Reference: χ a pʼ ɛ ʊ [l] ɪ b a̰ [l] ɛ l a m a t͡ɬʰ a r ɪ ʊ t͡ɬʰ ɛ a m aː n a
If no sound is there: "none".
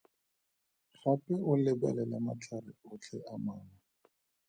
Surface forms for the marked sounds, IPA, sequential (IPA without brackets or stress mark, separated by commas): l, l